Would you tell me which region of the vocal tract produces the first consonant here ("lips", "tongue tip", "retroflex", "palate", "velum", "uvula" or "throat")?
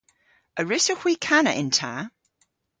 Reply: tongue tip